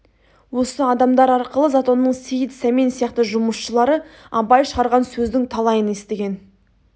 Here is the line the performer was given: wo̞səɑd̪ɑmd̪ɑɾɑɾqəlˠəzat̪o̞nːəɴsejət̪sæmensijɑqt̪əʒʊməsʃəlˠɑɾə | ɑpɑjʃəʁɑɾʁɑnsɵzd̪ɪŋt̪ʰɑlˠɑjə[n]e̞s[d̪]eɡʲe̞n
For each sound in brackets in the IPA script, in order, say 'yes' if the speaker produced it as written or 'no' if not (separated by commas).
yes, no